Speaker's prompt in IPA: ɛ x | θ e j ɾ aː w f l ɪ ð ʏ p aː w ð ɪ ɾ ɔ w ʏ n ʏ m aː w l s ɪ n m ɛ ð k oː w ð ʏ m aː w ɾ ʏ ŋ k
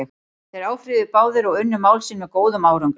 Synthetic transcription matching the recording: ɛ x | θ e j ɾ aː w f ɾ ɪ ð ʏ p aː w ð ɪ ɾ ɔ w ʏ nː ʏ m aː w l s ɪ n m ɛ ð k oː w ð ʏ m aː w ɾ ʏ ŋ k